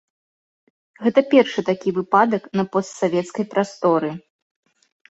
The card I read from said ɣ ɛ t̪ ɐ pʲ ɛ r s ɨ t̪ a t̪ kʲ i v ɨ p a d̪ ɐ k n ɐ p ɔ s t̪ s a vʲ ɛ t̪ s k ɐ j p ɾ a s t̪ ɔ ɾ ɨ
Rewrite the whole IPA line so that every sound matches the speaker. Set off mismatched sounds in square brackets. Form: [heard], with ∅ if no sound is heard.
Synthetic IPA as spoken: ɣ ɛ t̪ ɐ pʲ ɛ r [ʂ] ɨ t̪ a [∅] kʲ i v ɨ p a d̪ ɐ k n ɐ p ɔ s t̪ s a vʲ ɛ t̪ s k ɐ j p ɾ a s t̪ ɔ ɾ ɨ